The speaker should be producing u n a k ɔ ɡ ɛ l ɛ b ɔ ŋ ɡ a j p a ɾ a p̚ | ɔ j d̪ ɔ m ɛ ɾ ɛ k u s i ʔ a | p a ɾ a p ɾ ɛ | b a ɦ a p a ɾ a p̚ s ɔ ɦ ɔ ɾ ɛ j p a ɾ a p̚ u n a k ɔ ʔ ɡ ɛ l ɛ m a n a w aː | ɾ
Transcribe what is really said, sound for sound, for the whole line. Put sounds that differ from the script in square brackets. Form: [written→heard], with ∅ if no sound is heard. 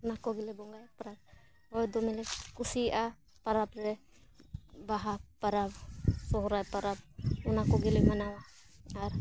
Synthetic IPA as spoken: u n a k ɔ ɡ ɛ l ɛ b ɔ ŋ ɡ a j p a ɾ a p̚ | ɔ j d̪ ɔ m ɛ [ɾ→l] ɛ k u s i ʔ a | p a ɾ a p ɾ ɛ | b a ɦ a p a ɾ a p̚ s ɔ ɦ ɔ ɾ [ɛ→a] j p a ɾ a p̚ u n a k ɔ [ʔ→∅] ɡ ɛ l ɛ m a n a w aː | ɾ

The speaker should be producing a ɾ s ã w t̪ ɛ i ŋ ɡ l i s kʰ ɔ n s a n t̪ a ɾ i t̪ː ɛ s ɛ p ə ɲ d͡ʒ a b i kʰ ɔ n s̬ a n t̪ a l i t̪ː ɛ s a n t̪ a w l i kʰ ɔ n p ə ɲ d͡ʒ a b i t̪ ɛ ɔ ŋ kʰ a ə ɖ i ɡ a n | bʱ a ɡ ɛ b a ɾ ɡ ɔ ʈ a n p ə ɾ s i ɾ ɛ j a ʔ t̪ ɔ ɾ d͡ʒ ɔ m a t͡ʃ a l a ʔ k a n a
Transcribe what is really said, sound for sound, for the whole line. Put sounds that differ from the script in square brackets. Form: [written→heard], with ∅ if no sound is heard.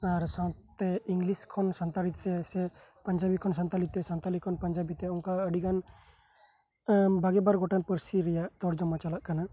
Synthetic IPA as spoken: a ɾ s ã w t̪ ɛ i ŋ ɡ l i s kʰ ɔ n s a n t̪ a ɾ i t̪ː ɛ s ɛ p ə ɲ d͡ʒ a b i kʰ ɔ n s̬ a n t̪ a l i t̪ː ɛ s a n t̪ a [w→∅] l i kʰ ɔ n p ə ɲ d͡ʒ a b i t̪ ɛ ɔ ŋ [kʰ→k] a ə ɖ i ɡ a n | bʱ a ɡ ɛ b a ɾ ɡ ɔ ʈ a n p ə ɾ s i ɾ ɛ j a ʔ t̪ ɔ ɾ d͡ʒ ɔ m a t͡ʃ a l a ʔ k a n a

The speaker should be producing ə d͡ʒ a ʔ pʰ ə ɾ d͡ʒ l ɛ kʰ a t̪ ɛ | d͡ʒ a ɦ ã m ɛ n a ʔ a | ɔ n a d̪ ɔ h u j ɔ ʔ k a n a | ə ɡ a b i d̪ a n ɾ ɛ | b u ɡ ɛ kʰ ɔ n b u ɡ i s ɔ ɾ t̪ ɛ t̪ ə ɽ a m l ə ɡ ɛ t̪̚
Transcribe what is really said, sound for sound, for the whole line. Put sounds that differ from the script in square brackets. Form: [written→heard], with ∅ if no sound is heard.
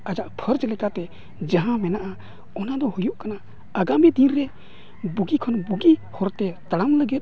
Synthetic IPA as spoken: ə d͡ʒ a ʔ pʰ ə ɾ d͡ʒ l ɛ [kʰ→k] a t̪ ɛ | d͡ʒ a ɦ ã m ɛ n a ʔ a | ɔ n a d̪ ɔ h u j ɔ ʔ k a n a | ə ɡ a [b→m] i d̪ [a→i] n ɾ ɛ | b u ɡ [ɛ→i] kʰ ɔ n b u ɡ i [s→h] ɔ ɾ t̪ ɛ t̪ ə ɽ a m l ə ɡ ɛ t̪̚

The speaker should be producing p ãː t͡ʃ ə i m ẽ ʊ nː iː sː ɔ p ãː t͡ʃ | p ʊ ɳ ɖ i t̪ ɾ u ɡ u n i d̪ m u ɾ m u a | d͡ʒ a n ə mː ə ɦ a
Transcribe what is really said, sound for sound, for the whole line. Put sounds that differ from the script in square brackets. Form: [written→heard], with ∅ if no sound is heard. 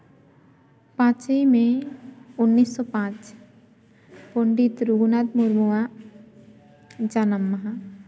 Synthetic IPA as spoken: p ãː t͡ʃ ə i m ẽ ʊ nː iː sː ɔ p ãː t͡ʃ | p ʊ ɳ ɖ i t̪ ɾ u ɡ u n [i→a] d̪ m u ɾ m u a | d͡ʒ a n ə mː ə ɦ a

